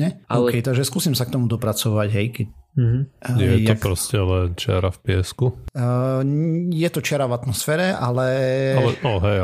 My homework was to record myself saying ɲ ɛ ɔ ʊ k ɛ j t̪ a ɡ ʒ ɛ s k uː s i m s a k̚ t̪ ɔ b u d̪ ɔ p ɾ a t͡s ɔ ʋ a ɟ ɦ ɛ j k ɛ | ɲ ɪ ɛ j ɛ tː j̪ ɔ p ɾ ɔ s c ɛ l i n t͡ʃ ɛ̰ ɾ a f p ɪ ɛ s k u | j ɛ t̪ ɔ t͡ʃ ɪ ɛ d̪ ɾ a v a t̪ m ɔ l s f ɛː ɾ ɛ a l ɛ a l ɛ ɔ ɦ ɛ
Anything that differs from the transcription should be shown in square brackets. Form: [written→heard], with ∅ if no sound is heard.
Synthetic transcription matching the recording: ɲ ɛ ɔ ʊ k ɛ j t̪ a ɡ ʒ ɛ s k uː s i m s a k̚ t̪ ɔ [b→m] u d̪ ɔ p ɾ a t͡s ɔ ʋ a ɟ ɦ ɛ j k ɛ | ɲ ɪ ɛ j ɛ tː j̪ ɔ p ɾ ɔ s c ɛ l [i→ɛ] n t͡ʃ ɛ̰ ɾ a f p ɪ ɛ s k u | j ɛ t̪ ɔ t͡ʃ ɪ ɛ [d̪→∅] ɾ a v a t̪ m ɔ [l→∅] s f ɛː ɾ ɛ a l ɛ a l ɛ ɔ ɦ ɛ